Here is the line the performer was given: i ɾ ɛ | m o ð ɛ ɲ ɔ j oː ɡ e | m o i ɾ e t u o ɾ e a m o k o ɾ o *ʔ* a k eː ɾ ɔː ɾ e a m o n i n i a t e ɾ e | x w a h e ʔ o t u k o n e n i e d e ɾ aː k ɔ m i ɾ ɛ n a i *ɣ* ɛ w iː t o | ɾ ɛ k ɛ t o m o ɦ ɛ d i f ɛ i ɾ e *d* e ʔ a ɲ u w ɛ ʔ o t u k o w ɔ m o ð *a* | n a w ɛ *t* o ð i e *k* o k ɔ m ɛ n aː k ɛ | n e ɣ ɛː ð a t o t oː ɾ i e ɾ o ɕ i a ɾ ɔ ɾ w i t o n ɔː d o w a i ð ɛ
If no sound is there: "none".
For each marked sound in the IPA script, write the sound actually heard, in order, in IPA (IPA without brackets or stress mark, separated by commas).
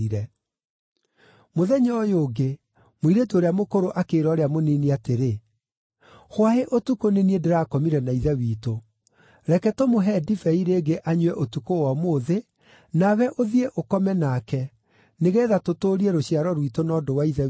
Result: ʔ, ð, ɡ, e, ʔ, ʔ